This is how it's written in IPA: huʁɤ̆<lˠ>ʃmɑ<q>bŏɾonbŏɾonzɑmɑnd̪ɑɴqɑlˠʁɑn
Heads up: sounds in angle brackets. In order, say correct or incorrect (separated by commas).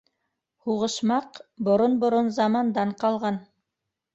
incorrect, correct